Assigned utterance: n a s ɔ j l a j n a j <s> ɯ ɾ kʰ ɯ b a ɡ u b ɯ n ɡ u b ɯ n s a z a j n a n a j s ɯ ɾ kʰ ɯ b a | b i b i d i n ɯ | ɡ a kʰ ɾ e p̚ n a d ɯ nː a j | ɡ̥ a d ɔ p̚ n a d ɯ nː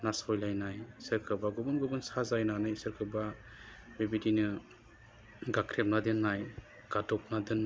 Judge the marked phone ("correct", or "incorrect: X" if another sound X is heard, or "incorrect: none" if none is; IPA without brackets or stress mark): correct